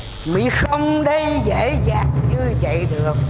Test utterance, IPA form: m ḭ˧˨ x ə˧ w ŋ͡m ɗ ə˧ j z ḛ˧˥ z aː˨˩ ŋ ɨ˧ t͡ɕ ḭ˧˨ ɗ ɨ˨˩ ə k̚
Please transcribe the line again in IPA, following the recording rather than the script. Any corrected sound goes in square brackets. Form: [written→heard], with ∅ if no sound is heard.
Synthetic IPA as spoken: m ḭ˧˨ x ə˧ w ŋ͡m ɗ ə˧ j z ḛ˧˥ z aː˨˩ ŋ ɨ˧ t͡ɕ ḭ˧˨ ɗ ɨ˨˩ ə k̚